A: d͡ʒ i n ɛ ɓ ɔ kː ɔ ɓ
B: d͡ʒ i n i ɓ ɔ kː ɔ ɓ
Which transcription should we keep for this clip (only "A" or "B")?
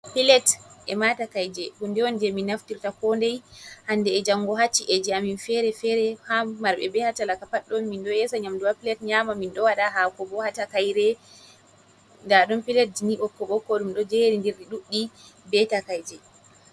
B